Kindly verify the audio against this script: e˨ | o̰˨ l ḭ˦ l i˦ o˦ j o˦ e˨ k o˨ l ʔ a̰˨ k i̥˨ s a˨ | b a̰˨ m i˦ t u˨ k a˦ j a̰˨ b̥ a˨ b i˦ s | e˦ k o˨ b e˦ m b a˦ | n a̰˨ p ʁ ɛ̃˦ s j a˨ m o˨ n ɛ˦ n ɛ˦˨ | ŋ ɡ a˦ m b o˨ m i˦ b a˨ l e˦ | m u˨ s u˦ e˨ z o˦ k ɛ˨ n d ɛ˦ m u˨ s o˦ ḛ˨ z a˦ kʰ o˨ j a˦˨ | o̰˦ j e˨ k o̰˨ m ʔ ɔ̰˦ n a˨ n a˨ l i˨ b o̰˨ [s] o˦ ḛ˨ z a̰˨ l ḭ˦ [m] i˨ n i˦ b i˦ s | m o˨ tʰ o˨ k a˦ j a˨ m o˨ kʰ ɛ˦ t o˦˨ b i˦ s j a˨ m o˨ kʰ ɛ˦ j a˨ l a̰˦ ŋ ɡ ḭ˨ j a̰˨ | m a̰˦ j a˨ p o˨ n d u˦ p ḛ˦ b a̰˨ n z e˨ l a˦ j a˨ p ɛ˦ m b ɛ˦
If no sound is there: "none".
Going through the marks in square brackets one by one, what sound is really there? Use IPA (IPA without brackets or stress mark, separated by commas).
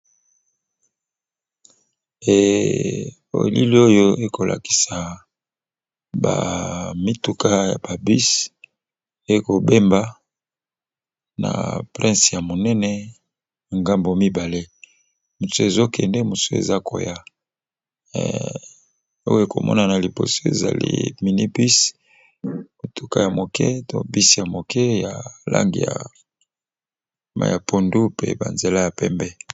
s, m